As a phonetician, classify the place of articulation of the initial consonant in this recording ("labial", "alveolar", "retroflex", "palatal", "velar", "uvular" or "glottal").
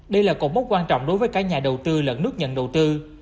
alveolar